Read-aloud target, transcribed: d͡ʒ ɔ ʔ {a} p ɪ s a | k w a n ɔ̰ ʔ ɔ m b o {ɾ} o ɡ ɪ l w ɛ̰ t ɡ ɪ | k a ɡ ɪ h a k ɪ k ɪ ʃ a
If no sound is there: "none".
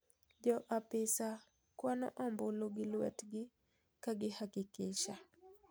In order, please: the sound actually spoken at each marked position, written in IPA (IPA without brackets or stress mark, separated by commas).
a, l